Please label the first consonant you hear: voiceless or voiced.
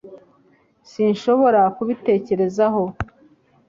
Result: voiceless